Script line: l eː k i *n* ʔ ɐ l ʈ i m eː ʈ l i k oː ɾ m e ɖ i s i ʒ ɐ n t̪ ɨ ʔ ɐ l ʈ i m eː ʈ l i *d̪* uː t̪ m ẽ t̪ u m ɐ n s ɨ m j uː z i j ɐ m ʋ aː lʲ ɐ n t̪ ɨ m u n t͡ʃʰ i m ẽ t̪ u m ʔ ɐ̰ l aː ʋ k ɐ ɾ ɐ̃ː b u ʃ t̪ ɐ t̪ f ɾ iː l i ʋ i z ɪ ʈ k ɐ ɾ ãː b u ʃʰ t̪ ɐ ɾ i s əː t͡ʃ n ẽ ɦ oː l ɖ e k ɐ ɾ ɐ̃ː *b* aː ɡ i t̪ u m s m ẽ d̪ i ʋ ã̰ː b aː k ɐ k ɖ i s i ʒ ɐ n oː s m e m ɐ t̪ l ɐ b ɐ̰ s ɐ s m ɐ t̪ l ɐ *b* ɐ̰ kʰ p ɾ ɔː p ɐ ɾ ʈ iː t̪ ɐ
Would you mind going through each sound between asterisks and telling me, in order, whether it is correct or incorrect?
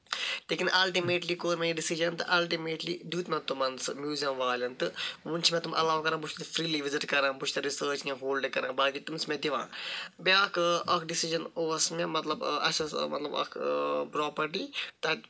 correct, correct, correct, correct

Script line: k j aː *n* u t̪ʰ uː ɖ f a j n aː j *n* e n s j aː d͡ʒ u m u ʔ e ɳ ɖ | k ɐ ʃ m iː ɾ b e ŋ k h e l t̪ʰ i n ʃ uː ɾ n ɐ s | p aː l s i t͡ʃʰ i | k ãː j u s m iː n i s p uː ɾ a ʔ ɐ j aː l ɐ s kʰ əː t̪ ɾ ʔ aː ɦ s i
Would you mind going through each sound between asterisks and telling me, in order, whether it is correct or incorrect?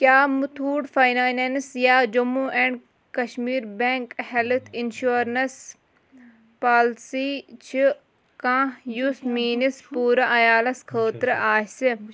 incorrect, correct

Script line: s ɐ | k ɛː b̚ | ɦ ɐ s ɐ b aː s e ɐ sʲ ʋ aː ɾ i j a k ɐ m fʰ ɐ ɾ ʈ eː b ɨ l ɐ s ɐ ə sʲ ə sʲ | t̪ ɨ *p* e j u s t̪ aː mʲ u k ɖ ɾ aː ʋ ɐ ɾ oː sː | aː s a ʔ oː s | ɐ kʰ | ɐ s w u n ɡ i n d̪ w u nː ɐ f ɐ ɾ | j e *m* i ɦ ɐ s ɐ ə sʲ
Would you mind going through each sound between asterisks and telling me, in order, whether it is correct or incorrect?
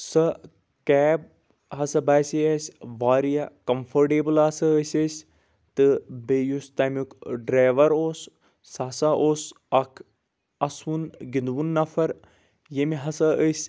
incorrect, correct

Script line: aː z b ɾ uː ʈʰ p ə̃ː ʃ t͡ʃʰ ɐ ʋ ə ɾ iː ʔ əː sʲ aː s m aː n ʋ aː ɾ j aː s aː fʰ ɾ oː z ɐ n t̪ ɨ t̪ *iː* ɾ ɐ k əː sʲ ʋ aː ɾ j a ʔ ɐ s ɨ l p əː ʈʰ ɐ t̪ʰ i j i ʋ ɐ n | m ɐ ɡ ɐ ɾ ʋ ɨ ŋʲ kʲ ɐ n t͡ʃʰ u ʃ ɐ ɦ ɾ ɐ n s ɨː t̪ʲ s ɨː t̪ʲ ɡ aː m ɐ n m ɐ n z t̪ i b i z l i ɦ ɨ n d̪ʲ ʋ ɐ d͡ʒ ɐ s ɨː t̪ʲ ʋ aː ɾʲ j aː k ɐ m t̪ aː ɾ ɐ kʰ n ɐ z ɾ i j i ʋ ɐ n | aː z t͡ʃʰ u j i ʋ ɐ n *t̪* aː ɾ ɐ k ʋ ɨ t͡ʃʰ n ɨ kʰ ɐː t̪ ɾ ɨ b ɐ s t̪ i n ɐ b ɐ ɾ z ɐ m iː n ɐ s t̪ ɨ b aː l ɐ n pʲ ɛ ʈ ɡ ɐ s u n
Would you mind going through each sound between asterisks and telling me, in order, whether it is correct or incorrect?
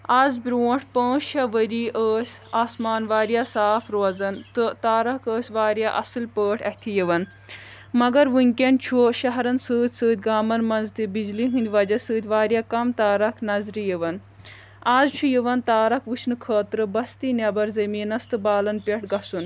incorrect, correct

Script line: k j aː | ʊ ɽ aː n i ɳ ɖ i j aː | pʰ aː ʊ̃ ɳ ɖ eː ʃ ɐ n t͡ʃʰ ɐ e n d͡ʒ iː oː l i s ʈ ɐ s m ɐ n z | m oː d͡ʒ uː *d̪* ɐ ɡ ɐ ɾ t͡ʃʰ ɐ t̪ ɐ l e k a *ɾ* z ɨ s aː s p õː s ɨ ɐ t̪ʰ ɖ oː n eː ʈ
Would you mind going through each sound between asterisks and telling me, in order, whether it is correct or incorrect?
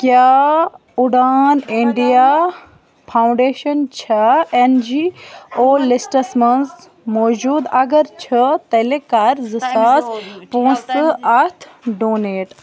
correct, correct

